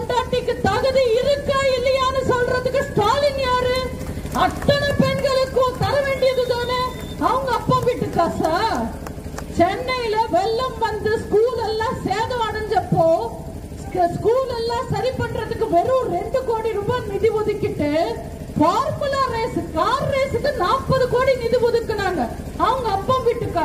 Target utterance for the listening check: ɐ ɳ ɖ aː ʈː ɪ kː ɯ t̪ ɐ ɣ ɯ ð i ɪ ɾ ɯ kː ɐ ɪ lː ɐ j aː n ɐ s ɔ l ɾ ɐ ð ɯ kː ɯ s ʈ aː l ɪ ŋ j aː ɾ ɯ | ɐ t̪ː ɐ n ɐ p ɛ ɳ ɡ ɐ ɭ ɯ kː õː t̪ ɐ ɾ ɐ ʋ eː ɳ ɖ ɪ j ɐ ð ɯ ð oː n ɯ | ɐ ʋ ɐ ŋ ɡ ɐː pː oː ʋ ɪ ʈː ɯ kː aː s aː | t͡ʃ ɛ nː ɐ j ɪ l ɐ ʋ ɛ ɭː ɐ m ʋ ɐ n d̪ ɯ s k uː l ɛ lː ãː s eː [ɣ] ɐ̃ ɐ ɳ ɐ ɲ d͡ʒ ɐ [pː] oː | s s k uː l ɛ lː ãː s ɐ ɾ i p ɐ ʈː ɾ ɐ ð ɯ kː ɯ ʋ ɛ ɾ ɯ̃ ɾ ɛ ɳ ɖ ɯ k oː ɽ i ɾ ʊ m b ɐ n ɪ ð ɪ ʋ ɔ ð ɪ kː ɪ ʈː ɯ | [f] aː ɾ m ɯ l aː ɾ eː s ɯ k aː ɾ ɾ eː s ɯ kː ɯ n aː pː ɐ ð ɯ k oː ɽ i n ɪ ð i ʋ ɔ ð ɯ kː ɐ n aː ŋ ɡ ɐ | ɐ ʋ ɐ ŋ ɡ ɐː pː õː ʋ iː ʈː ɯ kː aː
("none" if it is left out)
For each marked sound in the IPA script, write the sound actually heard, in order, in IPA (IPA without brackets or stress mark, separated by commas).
ð, pː, f